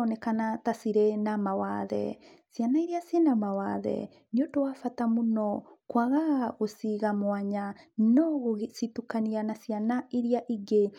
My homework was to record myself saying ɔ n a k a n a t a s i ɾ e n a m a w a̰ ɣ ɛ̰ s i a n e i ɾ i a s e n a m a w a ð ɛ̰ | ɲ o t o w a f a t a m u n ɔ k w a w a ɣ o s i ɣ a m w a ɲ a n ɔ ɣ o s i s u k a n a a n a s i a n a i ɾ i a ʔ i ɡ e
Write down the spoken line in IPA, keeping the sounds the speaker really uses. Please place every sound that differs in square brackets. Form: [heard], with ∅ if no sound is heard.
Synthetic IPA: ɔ n [ɛ] k a n a t a s i ɾ e n a m a w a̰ [ð] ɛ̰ s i a n [a] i ɾ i a s e n a m a w a ð ɛ̰ | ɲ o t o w a f a t a m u n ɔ k w a [ɣ] a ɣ o s i ɣ a m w a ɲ a n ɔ ɣ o s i [t] u k a n [i] a n a s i a n a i ɾ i a ʔ i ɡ e

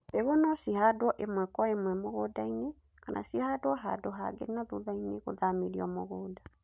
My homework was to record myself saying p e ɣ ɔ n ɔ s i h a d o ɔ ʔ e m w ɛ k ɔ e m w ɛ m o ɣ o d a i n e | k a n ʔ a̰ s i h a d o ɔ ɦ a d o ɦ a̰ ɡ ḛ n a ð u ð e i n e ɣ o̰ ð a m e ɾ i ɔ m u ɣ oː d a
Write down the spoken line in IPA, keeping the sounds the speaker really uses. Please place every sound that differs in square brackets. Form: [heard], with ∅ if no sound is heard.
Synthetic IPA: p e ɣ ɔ n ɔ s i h a d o ɔ ʔ e m w ɛ k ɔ e m w ɛ m o ɣ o d a i n e | k a n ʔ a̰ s i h a d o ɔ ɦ a d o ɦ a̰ ɡ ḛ n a ð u ð [a] i n e ɣ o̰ ð a m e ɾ i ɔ m [o] ɣ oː d a

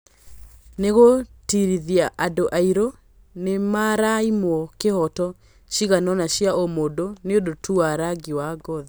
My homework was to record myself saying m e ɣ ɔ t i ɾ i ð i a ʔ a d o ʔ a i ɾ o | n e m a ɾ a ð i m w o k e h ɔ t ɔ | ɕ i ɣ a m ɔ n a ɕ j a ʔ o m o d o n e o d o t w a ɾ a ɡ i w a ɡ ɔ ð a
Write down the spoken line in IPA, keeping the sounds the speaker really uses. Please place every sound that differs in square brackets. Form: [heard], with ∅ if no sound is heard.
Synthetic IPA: [n] e ɣ [o] t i ɾ i ð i a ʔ a d o ʔ a i ɾ o | n e m a ɾ a [∅] i m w [ɔ] k e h ɔ t ɔ | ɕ i ɣ a [n] ɔ n a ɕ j a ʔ o m o d o n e o d o t [u] a ɾ a ɡ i w a ɡ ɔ ð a

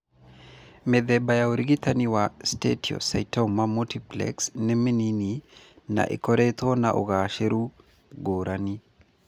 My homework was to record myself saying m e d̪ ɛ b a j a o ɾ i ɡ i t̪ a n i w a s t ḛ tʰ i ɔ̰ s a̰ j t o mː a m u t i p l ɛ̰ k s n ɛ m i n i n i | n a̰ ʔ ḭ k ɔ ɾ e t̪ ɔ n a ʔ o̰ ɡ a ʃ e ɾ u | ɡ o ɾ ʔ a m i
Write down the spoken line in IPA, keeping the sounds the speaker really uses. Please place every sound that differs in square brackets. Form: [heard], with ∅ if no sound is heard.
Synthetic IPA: m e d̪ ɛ b a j a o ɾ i ɡ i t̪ a n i w a s t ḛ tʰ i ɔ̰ s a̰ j t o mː a m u t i p l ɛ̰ k s n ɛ m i n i n i | n a̰ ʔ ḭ k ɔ ɾ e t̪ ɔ n a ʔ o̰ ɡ a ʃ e ɾ u | ɡ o ɾ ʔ a [n] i

